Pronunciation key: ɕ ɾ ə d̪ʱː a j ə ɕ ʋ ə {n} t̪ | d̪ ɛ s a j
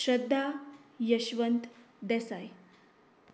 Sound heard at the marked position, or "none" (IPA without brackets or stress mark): n